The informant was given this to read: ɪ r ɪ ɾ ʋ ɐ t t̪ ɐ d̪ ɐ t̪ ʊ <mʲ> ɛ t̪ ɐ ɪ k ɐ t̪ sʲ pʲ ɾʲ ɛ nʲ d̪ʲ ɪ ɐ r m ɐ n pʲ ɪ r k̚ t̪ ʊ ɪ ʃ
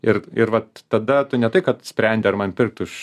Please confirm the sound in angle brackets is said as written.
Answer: no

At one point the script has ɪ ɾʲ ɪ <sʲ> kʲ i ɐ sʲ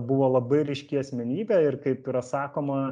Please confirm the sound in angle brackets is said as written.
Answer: no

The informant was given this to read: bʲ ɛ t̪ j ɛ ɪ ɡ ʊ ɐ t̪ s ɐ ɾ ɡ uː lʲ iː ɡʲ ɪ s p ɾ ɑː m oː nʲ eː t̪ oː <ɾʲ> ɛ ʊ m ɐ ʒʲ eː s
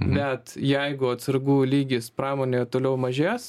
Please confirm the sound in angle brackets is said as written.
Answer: no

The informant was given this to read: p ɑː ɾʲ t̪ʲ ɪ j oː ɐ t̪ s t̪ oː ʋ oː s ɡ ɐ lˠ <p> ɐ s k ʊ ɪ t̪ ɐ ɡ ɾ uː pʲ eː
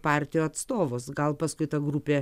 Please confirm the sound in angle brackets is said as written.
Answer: yes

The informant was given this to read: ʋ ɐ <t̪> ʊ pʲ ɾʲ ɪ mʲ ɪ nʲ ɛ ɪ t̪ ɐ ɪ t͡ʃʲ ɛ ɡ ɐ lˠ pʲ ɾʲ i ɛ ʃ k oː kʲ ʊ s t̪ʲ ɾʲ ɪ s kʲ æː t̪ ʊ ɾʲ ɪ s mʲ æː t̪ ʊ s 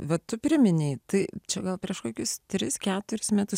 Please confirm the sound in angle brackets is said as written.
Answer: yes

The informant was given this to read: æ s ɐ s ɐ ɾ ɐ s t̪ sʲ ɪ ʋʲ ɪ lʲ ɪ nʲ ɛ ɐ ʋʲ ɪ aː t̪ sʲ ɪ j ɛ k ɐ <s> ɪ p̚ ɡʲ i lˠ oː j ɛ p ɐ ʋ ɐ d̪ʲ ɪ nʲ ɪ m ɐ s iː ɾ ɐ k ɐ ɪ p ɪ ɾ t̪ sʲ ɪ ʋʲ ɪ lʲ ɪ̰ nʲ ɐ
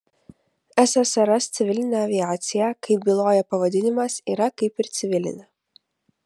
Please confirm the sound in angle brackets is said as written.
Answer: no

